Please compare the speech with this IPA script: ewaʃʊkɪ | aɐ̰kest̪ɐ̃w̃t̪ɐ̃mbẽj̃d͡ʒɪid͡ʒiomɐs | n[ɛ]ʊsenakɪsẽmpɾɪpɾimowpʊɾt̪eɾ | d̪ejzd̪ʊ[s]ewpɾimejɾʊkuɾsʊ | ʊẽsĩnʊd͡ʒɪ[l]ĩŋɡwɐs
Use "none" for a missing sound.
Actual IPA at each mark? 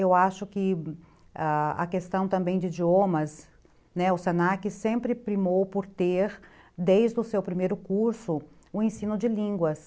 ɛ, s, l

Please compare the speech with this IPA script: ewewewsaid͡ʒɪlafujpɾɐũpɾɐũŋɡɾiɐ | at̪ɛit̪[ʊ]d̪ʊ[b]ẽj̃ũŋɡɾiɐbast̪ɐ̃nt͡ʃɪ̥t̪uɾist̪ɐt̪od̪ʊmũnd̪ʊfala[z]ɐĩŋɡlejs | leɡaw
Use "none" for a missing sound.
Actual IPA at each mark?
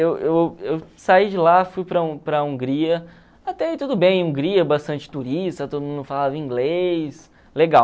u, b, v

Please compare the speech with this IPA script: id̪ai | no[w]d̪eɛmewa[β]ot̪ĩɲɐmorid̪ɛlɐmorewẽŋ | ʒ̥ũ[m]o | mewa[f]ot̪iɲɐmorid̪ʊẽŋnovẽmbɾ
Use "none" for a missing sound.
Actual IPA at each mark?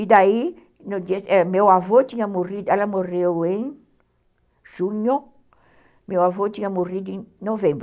none, v, ɲ, v

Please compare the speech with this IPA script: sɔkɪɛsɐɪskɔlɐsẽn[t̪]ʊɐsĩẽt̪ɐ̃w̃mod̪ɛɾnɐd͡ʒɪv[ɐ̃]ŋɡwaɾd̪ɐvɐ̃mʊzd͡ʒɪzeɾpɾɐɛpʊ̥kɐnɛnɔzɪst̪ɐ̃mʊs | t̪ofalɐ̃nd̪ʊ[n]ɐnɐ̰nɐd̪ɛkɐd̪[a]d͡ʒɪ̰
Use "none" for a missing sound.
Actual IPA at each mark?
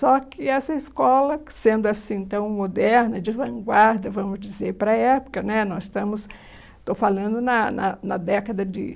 d̪, ɐ̃, n, ɐ

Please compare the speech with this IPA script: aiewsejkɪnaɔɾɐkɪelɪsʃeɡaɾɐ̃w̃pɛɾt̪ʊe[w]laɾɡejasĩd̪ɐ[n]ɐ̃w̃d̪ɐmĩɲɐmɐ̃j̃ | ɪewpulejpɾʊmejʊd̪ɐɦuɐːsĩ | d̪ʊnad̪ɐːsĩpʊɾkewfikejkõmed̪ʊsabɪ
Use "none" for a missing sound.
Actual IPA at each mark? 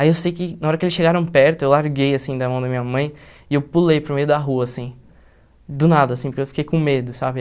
w, m

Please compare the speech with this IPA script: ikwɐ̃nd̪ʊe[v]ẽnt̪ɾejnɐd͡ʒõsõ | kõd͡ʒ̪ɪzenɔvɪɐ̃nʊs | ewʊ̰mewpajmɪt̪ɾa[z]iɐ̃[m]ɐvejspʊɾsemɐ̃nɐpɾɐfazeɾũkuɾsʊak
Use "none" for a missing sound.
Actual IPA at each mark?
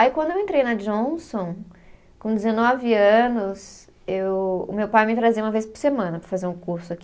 w, z, m

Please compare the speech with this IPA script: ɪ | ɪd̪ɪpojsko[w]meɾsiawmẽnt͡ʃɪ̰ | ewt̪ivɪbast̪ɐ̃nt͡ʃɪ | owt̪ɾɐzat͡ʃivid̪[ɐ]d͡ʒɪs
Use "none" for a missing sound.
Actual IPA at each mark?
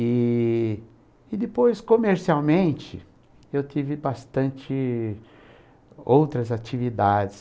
none, a

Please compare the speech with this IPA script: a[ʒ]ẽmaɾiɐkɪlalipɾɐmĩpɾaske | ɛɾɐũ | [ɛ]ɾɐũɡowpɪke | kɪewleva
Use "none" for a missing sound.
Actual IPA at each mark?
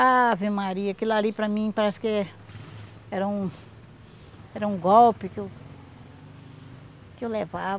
v, ɛ

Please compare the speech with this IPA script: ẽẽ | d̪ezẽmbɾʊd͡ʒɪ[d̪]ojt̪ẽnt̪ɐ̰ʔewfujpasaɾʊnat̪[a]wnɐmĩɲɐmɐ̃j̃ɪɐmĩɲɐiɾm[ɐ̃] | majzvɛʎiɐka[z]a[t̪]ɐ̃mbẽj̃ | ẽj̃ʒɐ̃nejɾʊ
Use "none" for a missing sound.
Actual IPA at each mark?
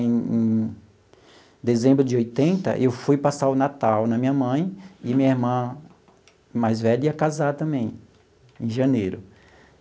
none, a, ɐ̃, z, t̪

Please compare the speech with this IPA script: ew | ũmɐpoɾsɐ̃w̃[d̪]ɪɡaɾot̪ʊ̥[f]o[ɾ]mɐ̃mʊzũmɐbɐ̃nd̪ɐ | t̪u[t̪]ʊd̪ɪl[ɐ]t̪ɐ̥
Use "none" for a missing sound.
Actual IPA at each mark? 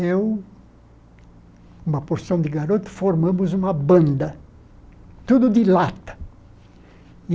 d̪, f, ɾ, d̪, a

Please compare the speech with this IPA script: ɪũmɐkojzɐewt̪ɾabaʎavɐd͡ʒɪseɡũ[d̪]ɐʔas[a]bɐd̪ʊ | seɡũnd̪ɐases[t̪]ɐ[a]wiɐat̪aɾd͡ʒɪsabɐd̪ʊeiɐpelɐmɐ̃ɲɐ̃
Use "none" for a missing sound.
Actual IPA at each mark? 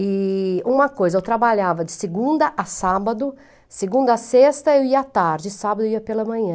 d̪, a, t̪, e

